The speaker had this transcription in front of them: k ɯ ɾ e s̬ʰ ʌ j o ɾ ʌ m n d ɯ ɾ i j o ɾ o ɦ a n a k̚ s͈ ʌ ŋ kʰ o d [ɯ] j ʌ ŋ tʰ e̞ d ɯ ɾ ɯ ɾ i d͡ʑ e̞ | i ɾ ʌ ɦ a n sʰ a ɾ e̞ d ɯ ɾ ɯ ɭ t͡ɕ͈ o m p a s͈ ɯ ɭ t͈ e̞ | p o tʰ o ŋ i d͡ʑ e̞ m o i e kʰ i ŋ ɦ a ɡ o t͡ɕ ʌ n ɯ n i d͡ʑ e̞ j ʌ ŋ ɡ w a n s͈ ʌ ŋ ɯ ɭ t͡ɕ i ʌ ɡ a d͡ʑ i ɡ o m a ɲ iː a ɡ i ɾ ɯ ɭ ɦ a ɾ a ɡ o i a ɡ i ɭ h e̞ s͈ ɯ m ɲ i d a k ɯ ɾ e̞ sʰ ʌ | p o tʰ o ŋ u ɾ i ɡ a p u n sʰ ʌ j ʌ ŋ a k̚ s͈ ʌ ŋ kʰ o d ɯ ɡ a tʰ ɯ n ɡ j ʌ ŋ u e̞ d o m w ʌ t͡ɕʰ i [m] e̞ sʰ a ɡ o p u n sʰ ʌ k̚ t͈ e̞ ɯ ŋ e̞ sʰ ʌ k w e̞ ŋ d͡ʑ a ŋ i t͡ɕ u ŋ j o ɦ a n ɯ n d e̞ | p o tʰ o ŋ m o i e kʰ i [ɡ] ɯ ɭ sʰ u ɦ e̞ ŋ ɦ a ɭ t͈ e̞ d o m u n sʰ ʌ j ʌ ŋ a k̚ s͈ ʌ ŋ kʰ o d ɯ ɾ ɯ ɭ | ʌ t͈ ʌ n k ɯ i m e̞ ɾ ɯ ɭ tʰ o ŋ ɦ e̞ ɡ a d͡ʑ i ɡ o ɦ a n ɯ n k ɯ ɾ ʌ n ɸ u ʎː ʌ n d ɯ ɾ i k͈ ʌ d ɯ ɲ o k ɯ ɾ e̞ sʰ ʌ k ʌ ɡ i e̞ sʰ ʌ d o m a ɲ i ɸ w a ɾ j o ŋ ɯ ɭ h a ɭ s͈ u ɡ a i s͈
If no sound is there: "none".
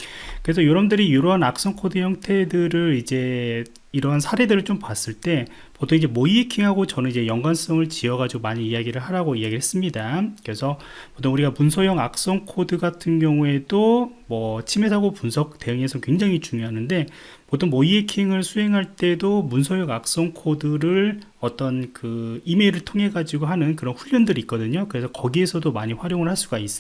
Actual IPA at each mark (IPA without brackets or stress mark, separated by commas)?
ɯ, m, ŋ